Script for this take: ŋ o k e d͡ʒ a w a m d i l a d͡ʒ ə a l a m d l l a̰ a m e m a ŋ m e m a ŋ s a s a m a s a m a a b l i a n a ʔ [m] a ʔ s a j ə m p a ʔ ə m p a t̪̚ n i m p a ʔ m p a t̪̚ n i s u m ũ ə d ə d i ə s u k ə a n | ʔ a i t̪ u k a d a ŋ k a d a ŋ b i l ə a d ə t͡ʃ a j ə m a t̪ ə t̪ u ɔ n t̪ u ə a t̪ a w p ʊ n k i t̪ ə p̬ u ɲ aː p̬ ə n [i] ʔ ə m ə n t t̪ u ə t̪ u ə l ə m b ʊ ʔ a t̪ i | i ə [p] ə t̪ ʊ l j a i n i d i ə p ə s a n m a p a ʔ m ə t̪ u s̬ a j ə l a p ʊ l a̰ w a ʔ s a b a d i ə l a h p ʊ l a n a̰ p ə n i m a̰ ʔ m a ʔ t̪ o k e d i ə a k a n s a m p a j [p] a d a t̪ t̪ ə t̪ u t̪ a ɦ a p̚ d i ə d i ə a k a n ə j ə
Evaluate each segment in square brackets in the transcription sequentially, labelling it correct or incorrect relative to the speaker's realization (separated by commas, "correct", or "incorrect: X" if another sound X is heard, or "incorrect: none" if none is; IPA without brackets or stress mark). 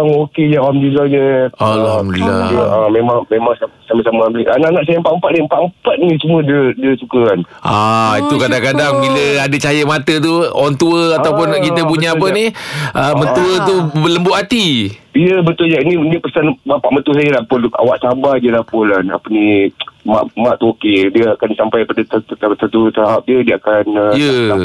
incorrect: n, correct, incorrect: b, correct